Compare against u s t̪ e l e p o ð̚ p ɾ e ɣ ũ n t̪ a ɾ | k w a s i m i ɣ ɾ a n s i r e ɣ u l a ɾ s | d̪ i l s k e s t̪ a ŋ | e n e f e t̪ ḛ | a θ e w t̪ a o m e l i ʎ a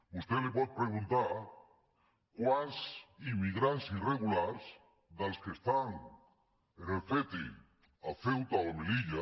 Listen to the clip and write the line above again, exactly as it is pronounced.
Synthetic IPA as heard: u s t̪ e l e p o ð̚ p ɾ e ɣ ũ n t̪ a ɾ | k w a s i m i ɣ ɾ a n s i r e ɣ u l a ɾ s | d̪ a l s k e s t̪ a ŋ | e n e f e t̪ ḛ | a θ e w t̪ a o m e l i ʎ a

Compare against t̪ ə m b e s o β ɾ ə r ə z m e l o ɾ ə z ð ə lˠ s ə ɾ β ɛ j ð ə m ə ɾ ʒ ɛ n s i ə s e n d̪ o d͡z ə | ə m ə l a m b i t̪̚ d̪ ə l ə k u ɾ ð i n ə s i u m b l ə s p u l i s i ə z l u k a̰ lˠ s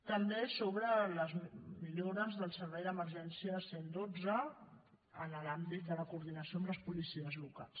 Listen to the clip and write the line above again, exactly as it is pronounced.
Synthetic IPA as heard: t̪ ə m b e s o β ɾ ə l ə z m i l o ɾ ə z ð ə lˠ s ə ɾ β ɛ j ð ə m ə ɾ ʒ ɛ n s i ə s e n d̪ o d͡z ə | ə n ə l a m b i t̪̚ d̪ ə l ə k u ɾ ð i n ə s i o m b l ə s p u l i s i ə z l u k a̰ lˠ s

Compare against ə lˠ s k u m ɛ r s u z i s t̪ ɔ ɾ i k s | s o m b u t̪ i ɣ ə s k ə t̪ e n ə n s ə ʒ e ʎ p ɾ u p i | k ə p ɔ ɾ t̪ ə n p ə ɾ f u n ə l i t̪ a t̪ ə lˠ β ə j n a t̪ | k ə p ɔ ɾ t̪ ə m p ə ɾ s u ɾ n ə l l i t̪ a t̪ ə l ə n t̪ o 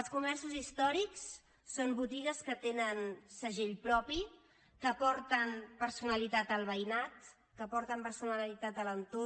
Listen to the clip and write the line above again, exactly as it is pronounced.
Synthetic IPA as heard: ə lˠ s k u m ɛ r s u z i s t̪ ɔ ɾ i k s | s o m b u t̪ i ɣ ə s k ə t̪ e n ə n s ə ʒ e ʎ p ɾ ɔ p i | k ə p ɔ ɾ t̪ ə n p ə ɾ s u n ə l i t̪ a t̪ ə lˠ β ə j n a t̪ | k ə p ɔ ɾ t̪ ə m p ə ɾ s u n ə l l i t̪ a t̪ ə l ə n t̪ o

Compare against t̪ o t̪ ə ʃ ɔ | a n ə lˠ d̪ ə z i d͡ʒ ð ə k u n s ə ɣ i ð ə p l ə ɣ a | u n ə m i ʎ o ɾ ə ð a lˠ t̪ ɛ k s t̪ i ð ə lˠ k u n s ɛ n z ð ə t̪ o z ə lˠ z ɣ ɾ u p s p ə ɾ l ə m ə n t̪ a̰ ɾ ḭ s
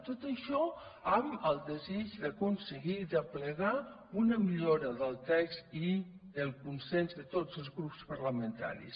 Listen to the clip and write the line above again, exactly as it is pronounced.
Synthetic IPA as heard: t̪ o t̪ ə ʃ ɔ | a m ə lˠ d̪ ə z i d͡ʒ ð ə k u n s ə ɣ i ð ə p l ə ɣ a | u n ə m i ʎ o ɾ ə ð ə lˠ t̪ ɛ k s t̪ i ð ə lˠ k u n s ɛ n z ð ə t̪ o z ə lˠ z ɣ ɾ u p s p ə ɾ l ə m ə n t̪ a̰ ɾ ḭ s

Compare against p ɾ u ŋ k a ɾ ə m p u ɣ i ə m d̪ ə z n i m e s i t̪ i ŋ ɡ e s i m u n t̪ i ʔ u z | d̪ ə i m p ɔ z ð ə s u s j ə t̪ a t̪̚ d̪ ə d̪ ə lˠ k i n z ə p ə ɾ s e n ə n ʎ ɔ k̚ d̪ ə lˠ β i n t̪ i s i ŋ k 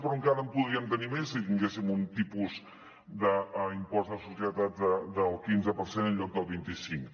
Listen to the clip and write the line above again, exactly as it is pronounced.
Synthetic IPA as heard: p ɾ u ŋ k a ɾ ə m p u ð i ə m t̪ ə n i m e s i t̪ i ŋ ɡ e s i m u n t̪ i p u z | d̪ ə i m p ɔ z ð ə s u s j ə t̪ a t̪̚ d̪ ə d̪ ə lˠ k i n z ə p ə ɾ s e n ə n ʎ ɔ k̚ d̪ ə lˠ β i n t̪ i s i ŋ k

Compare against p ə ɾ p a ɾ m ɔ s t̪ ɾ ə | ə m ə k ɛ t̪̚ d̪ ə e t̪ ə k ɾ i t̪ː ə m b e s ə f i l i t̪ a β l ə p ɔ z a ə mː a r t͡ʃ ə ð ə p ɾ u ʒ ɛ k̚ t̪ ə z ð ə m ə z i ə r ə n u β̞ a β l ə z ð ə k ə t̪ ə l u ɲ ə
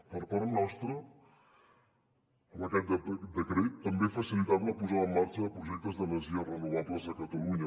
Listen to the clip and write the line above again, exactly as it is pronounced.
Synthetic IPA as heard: p ə ɾ p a ɾ n ɔ s t̪ ɾ ə | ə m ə k ɛ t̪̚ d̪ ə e d̪ ə k ɾ e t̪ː ə m b e f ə s i l i t̪ a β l ə p u z a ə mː a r t͡ʃ ə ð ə p ɾ u ʒ ɛ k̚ t̪ ə z ð ə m ə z i ə r ə n u β̞ a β l ə z ð ə k ə t̪ ə l u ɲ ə

